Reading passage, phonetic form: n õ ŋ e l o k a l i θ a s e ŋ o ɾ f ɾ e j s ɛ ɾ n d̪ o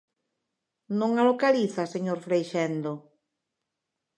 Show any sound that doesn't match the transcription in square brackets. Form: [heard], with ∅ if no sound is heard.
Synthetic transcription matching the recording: n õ ŋ [a] l o k a l i θ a s e [ɲ] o ɾ f ɾ e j [ʃ] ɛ [∅] n d̪ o